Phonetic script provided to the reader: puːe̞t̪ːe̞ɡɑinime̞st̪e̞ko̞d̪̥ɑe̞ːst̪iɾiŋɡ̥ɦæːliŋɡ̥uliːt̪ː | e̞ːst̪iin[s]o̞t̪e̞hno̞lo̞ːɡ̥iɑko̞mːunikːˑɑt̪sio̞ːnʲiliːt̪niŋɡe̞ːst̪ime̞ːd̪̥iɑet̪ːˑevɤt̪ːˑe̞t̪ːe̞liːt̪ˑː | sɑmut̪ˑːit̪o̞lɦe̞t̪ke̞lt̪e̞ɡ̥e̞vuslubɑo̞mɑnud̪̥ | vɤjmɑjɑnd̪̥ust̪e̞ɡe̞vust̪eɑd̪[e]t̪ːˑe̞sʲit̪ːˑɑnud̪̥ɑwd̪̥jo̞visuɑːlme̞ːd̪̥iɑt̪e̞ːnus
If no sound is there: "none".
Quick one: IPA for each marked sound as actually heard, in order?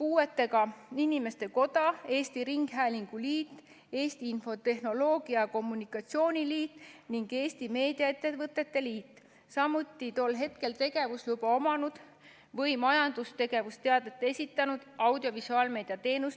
f, e

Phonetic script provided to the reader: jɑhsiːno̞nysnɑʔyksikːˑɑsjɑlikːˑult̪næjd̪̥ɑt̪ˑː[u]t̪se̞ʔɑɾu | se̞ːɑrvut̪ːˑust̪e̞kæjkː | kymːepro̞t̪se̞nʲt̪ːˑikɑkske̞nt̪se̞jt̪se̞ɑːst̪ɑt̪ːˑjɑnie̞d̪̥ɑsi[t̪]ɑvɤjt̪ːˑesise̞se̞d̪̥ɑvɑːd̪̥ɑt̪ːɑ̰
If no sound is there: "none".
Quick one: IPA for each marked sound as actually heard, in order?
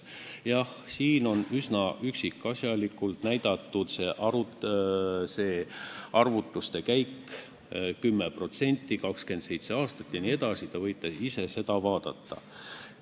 u, t̪

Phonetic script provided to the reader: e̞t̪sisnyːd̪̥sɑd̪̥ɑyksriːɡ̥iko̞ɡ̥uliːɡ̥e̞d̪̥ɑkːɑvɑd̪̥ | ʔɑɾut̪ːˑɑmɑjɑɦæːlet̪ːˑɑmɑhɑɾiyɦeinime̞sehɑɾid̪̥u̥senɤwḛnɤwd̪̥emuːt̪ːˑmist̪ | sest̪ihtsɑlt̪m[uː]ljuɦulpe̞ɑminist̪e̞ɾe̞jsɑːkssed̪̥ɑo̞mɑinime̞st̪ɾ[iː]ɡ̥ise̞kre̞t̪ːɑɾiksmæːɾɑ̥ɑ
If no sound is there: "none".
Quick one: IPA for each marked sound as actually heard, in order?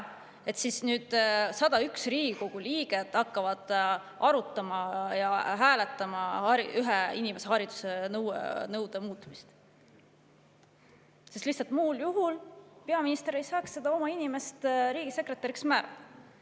uː, iː

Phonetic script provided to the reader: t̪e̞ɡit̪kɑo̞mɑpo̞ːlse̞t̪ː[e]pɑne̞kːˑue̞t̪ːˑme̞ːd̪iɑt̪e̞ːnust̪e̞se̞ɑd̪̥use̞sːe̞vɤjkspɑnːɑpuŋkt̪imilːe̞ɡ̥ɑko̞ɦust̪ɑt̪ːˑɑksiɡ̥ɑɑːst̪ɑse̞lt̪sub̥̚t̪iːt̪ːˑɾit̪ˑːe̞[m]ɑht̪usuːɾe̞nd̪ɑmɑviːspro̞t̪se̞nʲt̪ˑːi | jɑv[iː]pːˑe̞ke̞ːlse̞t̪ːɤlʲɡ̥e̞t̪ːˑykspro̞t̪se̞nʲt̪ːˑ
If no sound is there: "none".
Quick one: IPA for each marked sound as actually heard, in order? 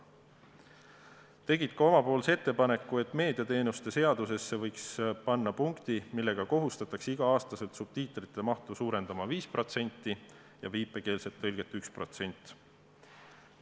e, m, iː

